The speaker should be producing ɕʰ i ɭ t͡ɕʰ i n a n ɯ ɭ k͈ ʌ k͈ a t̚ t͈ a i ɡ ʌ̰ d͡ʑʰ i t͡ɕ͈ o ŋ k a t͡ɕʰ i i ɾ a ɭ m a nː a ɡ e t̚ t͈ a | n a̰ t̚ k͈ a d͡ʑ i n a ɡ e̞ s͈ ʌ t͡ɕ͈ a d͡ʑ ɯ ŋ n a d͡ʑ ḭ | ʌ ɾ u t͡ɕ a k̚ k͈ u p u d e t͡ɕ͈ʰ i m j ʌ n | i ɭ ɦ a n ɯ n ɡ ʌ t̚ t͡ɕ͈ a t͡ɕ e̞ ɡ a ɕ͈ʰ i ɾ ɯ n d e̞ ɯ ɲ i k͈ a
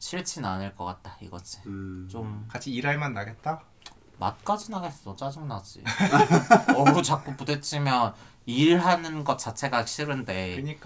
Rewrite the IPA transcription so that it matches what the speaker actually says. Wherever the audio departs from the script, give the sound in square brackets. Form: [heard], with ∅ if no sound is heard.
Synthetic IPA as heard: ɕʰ i ɭ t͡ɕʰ i n a n ɯ ɭ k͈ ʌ k͈ a t̚ t͈ a i ɡ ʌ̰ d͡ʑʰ i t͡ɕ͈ o [m] k a t͡ɕʰ i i ɾ a ɭ m a nː a ɡ e t̚ t͈ a | [m] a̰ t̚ k͈ a d͡ʑ i n a ɡ e̞ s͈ ʌ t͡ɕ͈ a d͡ʑ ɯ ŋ n a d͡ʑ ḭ | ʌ ɾ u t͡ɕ a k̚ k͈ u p u d e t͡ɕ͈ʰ i m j ʌ n | i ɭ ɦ a n ɯ n ɡ ʌ t̚ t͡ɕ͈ a [t͡ɕʰ] e̞ ɡ a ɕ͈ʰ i ɾ ɯ n d e̞ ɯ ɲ i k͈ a